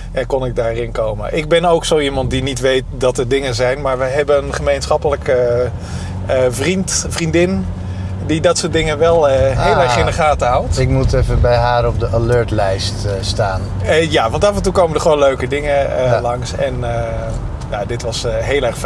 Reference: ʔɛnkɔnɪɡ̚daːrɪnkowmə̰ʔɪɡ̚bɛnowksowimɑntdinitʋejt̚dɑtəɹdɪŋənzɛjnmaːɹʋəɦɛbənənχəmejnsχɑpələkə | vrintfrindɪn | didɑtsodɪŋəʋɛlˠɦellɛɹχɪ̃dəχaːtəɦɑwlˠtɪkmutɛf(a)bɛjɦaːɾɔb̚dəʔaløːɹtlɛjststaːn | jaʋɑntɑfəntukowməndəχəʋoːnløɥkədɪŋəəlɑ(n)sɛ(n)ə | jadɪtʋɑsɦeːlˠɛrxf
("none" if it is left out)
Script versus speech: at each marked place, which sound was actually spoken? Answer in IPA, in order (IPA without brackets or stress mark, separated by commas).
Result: ə, ŋ, n